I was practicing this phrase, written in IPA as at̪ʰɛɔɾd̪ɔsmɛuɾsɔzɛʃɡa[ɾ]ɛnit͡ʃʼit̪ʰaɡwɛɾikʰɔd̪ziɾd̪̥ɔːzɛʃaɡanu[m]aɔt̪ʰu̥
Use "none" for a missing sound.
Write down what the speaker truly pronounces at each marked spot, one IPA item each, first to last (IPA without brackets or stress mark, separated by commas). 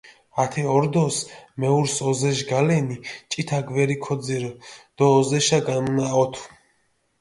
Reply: l, n